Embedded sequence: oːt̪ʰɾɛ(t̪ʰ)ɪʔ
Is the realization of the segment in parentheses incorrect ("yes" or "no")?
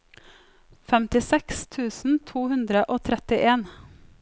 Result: yes